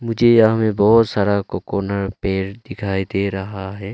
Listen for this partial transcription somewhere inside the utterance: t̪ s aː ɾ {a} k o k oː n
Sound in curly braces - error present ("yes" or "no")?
no